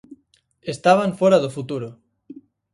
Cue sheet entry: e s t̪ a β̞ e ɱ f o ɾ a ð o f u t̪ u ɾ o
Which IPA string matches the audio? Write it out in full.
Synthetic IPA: e s t̪ a β̞ a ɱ f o ɾ a ð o f u t̪ u ɾ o